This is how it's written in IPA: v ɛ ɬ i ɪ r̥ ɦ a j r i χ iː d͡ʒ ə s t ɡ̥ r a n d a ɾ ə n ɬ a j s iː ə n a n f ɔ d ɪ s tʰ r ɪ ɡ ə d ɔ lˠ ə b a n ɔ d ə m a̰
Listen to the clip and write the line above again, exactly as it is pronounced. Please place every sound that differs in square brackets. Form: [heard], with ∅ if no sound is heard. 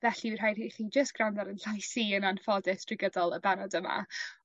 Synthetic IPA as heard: v ɛ ɬ i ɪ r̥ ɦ a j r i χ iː d͡ʒ ə s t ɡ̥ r a n d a ɾ ə n ɬ a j s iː ə n a n f ɔ d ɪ s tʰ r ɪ ɡ ə d ɔ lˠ ə b a n ɔ d ə m a̰